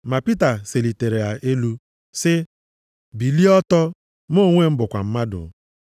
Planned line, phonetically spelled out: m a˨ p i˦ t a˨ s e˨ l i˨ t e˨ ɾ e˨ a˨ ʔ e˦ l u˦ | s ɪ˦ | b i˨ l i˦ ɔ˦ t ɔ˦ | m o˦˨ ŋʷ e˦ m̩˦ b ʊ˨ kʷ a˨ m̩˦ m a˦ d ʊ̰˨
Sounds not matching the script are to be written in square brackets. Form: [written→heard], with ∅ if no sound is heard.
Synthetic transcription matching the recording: m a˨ p i˦ t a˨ s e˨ l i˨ t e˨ ɾ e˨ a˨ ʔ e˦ l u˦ | s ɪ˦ | b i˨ l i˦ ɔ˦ t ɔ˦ | m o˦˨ ŋʷ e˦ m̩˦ b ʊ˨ kʷ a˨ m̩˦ m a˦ d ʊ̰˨

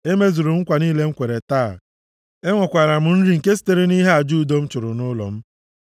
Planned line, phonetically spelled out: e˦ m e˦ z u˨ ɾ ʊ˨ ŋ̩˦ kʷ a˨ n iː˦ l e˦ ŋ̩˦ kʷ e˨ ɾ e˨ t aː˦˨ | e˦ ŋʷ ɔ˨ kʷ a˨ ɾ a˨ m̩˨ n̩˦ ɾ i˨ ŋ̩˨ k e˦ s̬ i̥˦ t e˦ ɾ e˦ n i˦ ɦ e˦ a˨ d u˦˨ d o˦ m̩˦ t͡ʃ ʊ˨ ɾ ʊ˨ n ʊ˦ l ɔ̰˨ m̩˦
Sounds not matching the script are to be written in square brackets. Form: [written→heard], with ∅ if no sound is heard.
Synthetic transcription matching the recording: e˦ m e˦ z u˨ ɾ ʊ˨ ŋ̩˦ kʷ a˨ n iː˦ l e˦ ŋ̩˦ kʷ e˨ ɾ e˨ t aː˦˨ | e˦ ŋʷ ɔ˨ kʷ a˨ ɾ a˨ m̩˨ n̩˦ ɾ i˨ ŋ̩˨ k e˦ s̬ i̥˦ t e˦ ɾ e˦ n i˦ ɦ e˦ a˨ [d→d͡ʒ] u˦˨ d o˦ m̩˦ t͡ʃ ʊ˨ ɾ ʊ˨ n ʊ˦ l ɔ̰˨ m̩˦

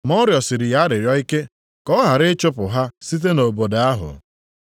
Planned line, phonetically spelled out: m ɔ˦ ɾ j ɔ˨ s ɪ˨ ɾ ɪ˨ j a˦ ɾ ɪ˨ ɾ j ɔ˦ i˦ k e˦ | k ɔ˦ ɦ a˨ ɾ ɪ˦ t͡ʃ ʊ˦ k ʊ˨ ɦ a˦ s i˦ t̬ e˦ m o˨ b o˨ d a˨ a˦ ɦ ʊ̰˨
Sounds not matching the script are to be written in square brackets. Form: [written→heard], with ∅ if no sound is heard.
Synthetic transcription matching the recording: m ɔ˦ ɾ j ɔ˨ s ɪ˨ ɾ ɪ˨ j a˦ ɾ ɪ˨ ɾ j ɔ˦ i˦ k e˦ | k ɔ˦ ɦ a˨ ɾ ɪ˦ t͡ʃ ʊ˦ [k→p] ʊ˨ ɦ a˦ s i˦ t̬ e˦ [m→n] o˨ b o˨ d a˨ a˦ ɦ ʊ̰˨

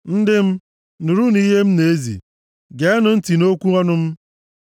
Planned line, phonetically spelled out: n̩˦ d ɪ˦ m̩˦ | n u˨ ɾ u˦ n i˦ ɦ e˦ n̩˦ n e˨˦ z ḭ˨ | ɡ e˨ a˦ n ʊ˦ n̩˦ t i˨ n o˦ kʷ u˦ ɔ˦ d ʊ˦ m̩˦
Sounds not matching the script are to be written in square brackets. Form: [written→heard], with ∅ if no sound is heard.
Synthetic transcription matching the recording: n̩˦ d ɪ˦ m̩˦ | n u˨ ɾ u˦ n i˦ ɦ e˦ [n̩˦→m̩˦] n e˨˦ z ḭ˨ | ɡ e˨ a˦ n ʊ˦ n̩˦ t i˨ n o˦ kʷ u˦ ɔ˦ [d→n] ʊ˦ m̩˦

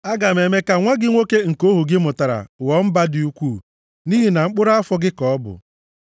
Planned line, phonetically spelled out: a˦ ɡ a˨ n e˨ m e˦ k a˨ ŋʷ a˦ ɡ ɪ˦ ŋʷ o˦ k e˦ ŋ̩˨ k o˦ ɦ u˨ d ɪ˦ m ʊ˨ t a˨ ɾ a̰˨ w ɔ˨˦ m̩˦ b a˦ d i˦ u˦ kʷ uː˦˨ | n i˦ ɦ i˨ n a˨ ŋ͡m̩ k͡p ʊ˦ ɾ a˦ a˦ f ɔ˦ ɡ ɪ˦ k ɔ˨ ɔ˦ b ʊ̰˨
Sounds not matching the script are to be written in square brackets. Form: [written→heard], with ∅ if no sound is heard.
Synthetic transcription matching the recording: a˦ ɡ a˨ [n→m] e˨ m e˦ k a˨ ŋʷ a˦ ɡ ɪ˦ ŋʷ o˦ k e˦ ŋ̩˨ k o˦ ɦ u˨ [d→ɡ] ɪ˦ m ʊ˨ t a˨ ɾ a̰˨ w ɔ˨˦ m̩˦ b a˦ d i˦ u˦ kʷ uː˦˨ | n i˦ ɦ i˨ n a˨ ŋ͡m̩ k͡p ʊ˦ ɾ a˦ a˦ f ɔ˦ ɡ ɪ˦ k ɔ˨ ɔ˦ b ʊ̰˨

